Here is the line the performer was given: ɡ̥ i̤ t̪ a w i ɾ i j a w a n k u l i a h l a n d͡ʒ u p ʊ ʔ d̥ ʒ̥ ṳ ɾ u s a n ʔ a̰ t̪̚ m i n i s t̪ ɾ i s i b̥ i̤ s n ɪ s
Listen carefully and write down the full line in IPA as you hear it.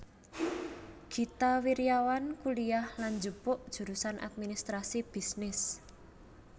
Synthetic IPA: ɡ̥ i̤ t̪ a w i ɾ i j a w a n k u l i a h l a n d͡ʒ u p ʊ ʔ d̥ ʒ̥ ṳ ɾ u s a n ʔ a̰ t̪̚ m i n i s t̪ ɾ a s i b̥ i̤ s n ɪ s